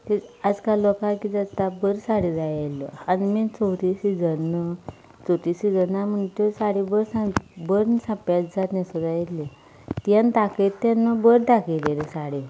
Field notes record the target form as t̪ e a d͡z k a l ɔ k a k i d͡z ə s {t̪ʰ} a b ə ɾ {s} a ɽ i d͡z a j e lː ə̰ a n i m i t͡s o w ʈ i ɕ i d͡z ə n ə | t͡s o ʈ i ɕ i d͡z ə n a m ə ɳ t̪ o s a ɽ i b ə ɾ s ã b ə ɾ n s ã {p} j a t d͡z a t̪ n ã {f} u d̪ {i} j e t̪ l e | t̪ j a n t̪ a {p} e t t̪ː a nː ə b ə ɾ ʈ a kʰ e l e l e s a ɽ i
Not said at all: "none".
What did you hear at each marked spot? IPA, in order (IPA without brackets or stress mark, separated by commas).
t̪, s, p, s, a, k